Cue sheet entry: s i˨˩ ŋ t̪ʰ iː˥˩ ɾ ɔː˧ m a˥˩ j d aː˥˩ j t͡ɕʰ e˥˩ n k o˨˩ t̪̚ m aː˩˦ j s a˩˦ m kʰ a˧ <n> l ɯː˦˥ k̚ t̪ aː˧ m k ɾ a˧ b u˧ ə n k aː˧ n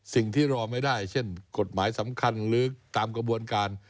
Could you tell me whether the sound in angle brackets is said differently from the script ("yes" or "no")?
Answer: no